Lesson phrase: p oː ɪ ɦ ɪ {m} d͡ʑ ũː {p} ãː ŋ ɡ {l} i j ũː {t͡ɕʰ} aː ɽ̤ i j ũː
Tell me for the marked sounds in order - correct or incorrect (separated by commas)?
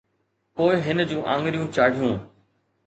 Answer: incorrect, incorrect, incorrect, incorrect